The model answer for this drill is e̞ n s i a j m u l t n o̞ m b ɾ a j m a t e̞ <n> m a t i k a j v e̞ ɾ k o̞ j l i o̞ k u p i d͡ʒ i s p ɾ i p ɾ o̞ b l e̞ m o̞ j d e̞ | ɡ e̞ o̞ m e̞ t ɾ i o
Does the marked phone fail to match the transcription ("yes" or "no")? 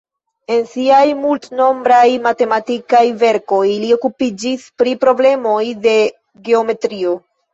yes